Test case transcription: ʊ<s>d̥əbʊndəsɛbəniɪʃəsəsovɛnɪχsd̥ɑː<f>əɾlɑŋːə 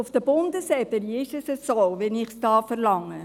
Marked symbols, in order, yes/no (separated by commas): no, yes